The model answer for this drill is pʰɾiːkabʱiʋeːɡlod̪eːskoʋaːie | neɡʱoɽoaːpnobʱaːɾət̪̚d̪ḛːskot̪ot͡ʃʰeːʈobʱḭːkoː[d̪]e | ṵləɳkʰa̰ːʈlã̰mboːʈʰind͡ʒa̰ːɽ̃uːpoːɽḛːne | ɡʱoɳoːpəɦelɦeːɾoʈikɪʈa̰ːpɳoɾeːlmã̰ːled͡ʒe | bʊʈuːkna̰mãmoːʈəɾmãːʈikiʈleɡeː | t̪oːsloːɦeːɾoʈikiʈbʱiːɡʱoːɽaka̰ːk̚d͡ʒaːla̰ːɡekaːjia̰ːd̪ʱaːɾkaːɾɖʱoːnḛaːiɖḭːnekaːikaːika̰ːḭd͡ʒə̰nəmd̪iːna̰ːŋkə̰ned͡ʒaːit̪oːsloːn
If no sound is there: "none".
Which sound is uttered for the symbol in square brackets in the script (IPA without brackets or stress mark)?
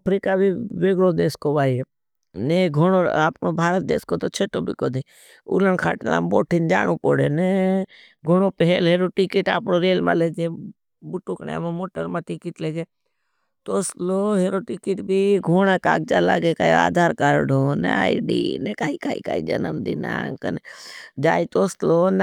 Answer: d̪